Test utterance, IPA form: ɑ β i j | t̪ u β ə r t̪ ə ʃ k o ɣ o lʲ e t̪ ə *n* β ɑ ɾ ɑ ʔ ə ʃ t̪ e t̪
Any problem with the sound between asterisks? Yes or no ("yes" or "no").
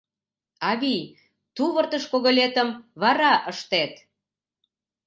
yes